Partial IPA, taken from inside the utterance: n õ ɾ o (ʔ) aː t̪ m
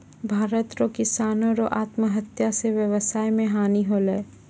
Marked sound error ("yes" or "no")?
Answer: no